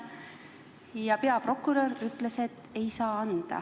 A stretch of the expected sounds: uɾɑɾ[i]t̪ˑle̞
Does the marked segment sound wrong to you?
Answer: yes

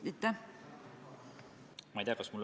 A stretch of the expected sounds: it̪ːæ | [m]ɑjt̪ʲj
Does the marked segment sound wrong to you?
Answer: no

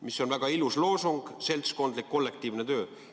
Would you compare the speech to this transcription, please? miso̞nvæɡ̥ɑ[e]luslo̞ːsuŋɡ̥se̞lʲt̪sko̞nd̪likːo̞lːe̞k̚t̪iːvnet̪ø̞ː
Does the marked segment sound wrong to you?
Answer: yes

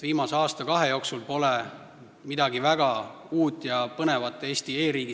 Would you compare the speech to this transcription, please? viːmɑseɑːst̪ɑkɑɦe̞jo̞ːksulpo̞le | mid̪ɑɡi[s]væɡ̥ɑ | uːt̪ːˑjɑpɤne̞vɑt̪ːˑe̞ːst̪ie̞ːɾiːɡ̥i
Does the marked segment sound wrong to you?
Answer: yes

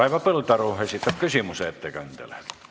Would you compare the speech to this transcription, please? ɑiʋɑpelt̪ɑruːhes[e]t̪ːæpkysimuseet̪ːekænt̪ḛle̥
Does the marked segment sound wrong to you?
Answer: yes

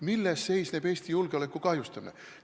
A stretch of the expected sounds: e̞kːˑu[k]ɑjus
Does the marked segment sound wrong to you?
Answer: no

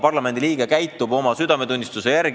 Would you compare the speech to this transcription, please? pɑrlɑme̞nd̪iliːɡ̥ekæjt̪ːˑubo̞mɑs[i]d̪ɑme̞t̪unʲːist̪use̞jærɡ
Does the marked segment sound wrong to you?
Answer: yes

